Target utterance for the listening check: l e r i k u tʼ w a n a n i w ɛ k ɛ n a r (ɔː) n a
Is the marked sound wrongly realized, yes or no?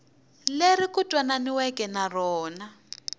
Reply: no